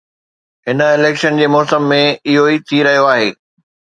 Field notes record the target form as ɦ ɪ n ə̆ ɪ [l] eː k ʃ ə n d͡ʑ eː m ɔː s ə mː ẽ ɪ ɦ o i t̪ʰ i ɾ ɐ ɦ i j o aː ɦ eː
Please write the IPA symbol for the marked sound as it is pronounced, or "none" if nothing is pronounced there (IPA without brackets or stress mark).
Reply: l